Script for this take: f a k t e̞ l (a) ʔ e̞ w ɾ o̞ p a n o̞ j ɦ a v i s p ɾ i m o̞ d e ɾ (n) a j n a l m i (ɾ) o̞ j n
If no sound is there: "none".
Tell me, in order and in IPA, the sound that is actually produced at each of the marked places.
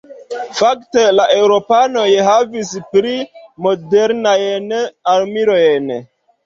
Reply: a, n, ɾ

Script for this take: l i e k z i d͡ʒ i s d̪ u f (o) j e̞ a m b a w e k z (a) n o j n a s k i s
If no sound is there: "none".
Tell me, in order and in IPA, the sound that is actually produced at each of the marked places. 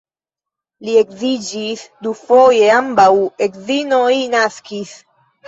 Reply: o, i

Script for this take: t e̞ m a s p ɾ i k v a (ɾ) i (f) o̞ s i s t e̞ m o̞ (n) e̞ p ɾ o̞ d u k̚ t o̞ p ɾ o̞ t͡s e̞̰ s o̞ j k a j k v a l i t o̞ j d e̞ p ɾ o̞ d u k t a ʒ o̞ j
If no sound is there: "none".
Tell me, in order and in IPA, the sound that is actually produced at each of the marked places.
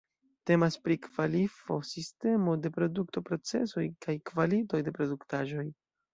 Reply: l, f, d

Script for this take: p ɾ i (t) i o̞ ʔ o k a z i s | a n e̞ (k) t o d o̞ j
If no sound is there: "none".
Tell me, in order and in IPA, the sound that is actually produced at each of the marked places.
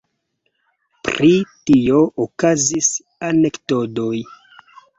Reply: t, k

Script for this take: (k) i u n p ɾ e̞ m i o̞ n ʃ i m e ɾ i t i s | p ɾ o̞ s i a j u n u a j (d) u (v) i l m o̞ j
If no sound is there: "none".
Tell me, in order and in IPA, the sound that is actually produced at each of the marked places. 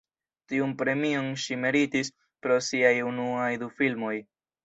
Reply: t, d, f

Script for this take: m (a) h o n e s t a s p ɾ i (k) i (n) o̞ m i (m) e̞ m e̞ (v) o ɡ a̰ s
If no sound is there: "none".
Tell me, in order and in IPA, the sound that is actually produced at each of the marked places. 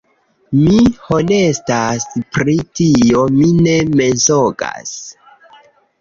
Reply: i, t, none, n, z

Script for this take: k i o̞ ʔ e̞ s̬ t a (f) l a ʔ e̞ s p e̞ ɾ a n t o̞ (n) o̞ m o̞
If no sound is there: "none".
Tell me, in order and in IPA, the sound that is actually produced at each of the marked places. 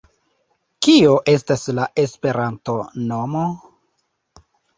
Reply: s, n

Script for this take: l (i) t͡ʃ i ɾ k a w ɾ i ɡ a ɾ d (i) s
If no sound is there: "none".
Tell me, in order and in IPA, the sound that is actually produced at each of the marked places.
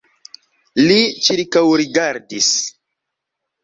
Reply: i, i

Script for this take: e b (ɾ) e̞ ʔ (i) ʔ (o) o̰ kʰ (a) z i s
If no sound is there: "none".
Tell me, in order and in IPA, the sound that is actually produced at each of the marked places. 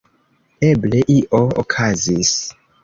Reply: l, i, o, a

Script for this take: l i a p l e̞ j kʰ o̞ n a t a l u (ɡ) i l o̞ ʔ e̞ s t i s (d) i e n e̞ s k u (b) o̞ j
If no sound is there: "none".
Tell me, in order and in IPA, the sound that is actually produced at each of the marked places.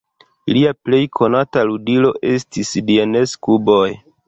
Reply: d, d, b

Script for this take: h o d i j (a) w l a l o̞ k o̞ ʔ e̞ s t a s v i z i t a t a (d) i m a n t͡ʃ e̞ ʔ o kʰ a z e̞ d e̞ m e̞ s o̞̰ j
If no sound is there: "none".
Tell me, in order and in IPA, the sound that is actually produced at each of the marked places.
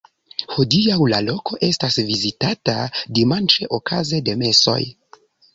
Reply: a, d

